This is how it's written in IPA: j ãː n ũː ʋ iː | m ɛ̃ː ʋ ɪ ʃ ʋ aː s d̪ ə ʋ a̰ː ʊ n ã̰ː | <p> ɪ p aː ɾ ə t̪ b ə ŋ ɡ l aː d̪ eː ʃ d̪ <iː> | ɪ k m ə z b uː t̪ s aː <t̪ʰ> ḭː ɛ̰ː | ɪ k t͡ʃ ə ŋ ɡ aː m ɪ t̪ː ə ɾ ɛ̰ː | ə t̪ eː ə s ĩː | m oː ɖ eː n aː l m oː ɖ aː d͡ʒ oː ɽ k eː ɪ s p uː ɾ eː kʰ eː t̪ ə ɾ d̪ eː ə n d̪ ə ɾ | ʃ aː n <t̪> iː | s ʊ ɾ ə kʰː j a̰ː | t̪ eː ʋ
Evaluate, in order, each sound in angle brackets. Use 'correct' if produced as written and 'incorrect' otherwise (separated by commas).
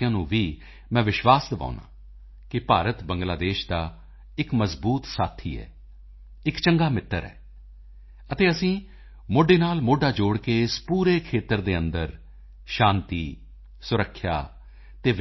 incorrect, incorrect, correct, correct